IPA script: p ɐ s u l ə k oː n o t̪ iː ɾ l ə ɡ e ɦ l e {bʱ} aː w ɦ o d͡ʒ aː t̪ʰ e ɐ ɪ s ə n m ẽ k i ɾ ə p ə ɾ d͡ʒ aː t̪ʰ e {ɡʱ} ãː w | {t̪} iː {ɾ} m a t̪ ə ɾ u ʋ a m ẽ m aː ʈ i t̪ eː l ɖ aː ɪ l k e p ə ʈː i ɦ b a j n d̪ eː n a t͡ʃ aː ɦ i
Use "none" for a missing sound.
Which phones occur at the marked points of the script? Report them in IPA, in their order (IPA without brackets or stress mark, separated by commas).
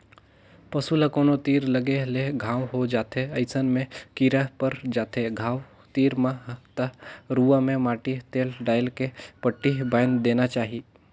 ɡʱ, ɡʱ, t̪, ɾ